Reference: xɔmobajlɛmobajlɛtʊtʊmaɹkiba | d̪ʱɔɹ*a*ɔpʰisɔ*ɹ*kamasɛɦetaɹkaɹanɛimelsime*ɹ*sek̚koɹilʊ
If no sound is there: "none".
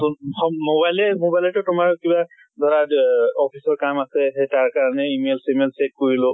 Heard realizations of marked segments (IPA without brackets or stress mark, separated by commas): a, ɹ, l